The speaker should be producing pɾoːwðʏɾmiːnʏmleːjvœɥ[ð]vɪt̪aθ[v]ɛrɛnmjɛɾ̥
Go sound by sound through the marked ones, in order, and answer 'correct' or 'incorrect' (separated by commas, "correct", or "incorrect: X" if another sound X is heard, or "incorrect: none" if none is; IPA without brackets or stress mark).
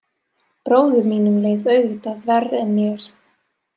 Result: incorrect: ɣ, correct